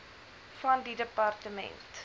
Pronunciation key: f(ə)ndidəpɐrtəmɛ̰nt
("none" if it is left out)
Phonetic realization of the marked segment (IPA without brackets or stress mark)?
ɐ